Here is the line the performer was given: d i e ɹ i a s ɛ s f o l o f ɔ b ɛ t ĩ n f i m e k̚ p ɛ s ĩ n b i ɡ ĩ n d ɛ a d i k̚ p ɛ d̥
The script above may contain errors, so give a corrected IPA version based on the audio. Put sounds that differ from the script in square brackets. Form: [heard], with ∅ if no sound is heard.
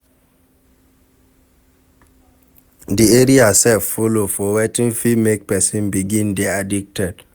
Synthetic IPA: d i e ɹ i a s ɛ [f] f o l o f ɔ [w] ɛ t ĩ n f i m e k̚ p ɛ s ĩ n b i ɡ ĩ n d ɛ a d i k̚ [t] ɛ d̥